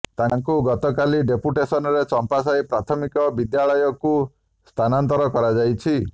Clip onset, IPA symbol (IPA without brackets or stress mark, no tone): t̪